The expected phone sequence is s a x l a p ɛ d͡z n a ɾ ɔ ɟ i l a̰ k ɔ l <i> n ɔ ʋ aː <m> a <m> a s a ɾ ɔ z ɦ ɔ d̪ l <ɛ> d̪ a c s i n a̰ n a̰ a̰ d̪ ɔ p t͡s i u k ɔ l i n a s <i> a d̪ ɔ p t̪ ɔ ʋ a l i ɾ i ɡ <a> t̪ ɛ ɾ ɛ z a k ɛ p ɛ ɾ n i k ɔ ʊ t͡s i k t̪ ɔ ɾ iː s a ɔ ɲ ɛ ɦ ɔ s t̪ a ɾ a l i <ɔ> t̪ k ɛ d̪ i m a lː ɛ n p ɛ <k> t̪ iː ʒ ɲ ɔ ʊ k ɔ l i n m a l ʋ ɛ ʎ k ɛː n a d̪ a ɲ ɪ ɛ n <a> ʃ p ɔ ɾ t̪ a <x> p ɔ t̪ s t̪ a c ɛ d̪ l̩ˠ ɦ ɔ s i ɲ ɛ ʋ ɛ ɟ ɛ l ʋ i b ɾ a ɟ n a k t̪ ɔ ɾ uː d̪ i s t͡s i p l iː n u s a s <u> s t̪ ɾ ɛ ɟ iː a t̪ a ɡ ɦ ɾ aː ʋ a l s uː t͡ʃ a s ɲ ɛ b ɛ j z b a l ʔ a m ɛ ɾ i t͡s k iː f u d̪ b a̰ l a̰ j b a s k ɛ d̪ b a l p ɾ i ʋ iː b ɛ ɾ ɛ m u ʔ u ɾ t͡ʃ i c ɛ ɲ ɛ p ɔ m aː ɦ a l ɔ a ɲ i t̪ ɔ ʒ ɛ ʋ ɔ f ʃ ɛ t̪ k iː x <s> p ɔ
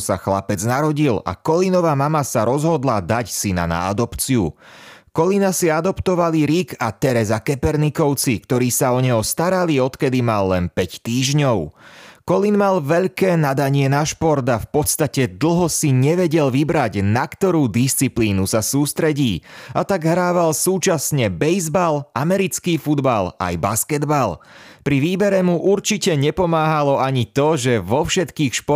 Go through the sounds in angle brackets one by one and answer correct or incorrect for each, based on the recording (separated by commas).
correct, correct, correct, incorrect, correct, correct, correct, incorrect, correct, incorrect, incorrect, incorrect